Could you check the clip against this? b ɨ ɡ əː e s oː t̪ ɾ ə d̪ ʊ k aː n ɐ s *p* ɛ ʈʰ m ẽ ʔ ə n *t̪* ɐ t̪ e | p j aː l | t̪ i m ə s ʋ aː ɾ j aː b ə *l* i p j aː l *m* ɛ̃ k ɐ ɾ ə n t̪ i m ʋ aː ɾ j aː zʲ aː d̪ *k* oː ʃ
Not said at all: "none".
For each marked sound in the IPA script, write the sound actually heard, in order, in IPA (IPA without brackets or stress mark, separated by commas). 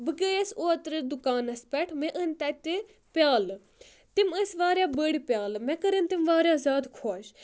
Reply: p, t̪, ɽ, m, kʰ